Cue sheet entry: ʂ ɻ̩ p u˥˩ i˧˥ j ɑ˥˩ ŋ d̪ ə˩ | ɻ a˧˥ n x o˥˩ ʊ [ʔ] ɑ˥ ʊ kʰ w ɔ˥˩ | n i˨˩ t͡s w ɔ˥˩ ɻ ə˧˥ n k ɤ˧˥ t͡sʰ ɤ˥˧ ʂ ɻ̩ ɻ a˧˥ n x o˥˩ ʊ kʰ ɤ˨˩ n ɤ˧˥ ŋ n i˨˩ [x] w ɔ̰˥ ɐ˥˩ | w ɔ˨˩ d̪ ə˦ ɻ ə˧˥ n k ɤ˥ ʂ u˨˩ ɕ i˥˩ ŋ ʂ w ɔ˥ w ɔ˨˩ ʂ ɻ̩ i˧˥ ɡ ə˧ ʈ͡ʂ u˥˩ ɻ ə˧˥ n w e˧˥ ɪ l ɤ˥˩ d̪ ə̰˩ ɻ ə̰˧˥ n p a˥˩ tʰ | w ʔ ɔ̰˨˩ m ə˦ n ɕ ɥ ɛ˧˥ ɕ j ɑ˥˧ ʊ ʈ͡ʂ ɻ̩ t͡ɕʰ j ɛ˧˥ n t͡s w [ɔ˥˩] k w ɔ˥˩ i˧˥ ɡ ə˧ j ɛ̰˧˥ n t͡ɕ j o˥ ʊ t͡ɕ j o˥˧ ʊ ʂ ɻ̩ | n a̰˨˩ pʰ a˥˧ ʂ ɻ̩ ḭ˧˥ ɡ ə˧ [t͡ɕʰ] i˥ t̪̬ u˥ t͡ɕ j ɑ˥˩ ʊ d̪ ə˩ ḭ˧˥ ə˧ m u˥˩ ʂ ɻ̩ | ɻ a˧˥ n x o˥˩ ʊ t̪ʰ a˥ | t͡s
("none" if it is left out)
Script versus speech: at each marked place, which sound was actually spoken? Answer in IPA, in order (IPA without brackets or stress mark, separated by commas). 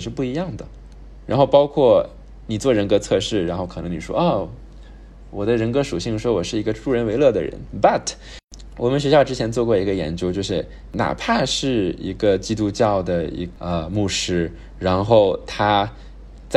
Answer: p, ʂ, ɔ˥˧, t͡ɕ